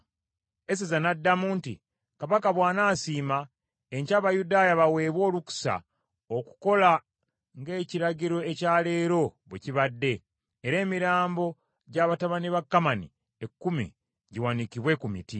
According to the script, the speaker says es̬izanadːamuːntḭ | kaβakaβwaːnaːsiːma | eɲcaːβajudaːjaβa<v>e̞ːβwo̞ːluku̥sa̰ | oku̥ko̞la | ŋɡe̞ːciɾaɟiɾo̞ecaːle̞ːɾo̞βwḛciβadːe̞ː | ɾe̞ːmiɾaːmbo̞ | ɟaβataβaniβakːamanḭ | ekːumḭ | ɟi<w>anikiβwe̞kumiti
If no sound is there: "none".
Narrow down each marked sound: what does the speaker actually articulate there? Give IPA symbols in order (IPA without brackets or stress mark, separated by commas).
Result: w, w